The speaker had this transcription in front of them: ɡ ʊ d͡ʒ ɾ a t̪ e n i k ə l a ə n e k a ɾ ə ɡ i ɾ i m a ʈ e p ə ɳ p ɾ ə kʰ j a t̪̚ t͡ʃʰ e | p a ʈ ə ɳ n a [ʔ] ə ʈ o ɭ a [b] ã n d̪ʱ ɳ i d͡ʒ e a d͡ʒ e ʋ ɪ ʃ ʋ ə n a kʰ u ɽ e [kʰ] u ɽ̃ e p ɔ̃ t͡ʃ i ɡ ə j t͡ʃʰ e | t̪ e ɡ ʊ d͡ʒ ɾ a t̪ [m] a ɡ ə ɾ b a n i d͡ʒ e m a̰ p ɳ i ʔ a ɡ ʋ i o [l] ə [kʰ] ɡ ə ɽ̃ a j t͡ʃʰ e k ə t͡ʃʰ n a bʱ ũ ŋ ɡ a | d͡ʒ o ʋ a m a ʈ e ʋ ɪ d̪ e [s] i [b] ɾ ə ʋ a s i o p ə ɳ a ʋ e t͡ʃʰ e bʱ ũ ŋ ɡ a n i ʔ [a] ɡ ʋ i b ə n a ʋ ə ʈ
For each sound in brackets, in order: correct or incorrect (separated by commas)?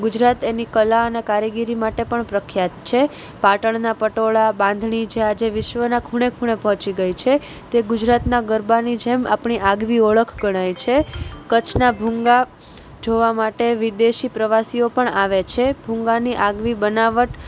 incorrect, correct, correct, incorrect, incorrect, correct, incorrect, incorrect, correct